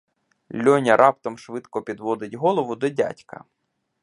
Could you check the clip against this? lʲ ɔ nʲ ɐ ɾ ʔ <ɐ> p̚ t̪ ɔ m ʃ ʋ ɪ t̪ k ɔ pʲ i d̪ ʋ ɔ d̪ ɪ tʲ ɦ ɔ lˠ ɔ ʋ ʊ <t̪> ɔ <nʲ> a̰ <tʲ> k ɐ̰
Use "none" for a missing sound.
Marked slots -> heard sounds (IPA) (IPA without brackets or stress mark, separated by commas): ɑ, d̪, dʲ, tʲ